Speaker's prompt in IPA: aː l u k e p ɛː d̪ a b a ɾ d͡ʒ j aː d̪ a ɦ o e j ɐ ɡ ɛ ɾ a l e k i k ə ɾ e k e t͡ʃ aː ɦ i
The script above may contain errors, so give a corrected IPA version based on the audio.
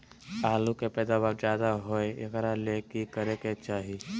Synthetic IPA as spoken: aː l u k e p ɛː d̪ a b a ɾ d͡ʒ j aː d̪ a ɦ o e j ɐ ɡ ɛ ɾ a l e k i k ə ɾ e k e t͡ʃ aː ɦ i

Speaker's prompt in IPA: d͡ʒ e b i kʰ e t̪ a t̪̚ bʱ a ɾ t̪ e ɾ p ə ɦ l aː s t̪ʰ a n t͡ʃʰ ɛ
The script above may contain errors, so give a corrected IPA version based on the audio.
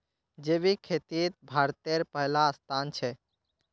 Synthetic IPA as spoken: d͡ʒ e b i kʰ e t̪ i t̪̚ bʱ a ɾ t̪ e ɾ p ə ɦ l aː s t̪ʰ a n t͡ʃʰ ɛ

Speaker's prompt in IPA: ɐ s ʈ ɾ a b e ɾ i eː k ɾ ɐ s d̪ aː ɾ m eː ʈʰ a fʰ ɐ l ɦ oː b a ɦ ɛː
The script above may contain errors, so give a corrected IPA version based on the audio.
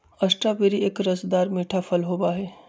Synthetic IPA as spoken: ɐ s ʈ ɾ a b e ɾ i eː k ɾ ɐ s d̪ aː ɾ m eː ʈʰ a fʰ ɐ l ɦ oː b a ɦ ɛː

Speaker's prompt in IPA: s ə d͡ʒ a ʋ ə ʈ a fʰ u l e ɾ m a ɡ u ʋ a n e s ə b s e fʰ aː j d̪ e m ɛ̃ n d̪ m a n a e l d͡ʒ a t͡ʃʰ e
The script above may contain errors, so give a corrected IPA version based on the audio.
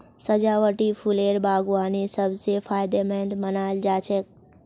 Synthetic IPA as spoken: s ə d͡ʒ a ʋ ə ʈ i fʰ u l e ɾ b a ɡ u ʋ a n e s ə b s e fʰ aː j d̪ e m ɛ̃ n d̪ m ə n a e l d͡ʒ a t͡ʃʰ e

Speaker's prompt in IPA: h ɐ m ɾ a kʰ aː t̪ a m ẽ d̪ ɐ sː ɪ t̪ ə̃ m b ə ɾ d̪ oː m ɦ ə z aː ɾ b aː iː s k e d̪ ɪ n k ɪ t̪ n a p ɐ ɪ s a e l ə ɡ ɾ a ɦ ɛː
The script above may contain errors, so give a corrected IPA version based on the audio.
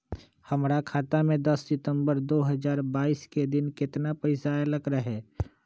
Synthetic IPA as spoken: h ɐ m ɾ a kʰ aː t̪ a m ẽ d̪ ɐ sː ɪ t̪ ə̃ m b ə ɾ d̪ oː ɦ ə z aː ɾ b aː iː s k e d̪ ɪ n k ɪ t̪ n a p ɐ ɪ s a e l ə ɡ ɾ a ɦ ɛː

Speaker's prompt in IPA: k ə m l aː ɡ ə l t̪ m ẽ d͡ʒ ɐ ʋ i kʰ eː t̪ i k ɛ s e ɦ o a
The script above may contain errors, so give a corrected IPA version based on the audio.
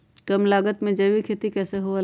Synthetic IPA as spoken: k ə m l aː ɡ ə t̪ m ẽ d͡ʒ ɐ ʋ i kʰ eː t̪ i k ɛː s e ɦ o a

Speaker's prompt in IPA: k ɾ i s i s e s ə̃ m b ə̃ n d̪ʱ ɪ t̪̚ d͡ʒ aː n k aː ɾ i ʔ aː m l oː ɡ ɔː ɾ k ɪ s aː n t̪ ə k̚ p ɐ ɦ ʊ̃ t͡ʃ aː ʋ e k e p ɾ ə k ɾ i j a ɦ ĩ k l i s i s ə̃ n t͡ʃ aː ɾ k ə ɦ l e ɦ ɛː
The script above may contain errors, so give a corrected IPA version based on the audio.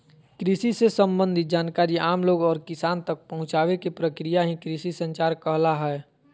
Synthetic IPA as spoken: k ɾ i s i s e s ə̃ m b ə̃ n d̪ʱ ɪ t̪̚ d͡ʒ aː n k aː ɾ i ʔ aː m l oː ɡ ɔː ɾ k ɪ s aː n t̪ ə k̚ p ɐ ɦ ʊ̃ t͡ʃ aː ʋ e k e p ɾ ə k ɾ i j a ɦ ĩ k ɾ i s i s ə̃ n t͡ʃ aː ɾ k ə ɦ l a ɦ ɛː

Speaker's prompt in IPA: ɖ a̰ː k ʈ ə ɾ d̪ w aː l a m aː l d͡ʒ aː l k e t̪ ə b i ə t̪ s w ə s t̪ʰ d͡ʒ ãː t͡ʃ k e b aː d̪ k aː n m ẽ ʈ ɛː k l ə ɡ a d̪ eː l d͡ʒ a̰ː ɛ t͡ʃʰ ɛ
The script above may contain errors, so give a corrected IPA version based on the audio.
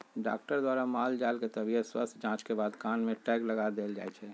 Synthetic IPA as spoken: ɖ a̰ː k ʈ ə ɾ d̪ w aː ɾ a m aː l d͡ʒ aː l k e t̪ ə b i ə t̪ s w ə s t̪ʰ d͡ʒ ãː t͡ʃ k e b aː d̪ k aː n m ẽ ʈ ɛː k l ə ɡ a d̪ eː l d͡ʒ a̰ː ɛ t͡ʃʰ ɛ

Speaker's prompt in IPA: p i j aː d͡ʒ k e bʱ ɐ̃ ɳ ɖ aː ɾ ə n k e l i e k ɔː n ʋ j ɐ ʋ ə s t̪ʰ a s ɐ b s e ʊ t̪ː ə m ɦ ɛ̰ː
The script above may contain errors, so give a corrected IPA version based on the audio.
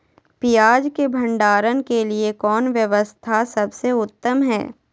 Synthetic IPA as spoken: p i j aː d͡ʒ k e bʱ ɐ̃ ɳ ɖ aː ɾ ə n k e l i e k ɔː n ʋ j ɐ ʋ ə s t̪ʰ a s ɐ b s e ʊ t̪ː ə m ɦ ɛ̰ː

